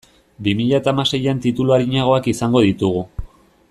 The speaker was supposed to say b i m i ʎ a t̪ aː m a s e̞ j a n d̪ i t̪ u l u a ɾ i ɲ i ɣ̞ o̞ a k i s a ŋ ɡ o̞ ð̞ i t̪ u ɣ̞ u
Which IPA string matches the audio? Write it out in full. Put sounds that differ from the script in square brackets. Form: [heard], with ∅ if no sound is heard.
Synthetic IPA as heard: b i m i ʎ a t̪ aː m a s e̞ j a n [t̪] i t̪ u l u a ɾ i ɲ [a] ɣ̞ o̞ a k i s a ŋ ɡ o̞ ð̞ i t̪ u ɣ̞ u